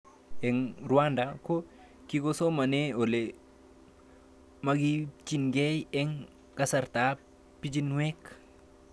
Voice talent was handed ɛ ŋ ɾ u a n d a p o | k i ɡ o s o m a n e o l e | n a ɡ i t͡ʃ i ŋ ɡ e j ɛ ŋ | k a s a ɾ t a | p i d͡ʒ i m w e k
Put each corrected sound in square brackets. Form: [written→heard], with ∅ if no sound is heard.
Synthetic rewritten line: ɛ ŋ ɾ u a n d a [p→k] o | k i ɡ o s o m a n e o l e | [n→m] a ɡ i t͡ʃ i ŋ ɡ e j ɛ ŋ | k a s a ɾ t a | p i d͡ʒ i [m→n] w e k